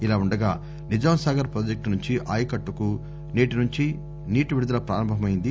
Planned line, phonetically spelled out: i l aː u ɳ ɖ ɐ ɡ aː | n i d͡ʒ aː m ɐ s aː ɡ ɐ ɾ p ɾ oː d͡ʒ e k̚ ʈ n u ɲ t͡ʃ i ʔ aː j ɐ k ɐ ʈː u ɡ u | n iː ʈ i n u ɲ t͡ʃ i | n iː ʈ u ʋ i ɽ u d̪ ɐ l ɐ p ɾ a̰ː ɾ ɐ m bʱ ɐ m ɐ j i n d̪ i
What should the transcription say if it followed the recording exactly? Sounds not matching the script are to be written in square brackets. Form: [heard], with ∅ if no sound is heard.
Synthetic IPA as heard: i l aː u ɳ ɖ ɐ ɡ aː | n i d͡ʒ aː m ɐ s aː ɡ ɐ ɾ p ɾ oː d͡ʒ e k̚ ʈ n u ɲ t͡ʃ i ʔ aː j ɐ k ɐ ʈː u [k] u | n iː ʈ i n u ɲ t͡ʃ i | n iː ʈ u ʋ i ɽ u d̪ ɐ l ɐ p ɾ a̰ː ɾ ɐ m bʱ ɐ m ɐ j i n d̪ i